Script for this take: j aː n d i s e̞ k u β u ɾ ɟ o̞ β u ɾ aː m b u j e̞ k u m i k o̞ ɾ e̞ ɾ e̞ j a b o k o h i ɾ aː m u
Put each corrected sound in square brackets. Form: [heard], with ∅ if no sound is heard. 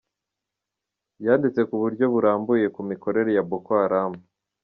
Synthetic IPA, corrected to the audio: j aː n d i [t͡s] e̞ k u β u ɾ ɟ o̞ β u ɾ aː m b u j e̞ k u m i k o̞ ɾ e̞ ɾ e̞ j a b o k o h [a] ɾ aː m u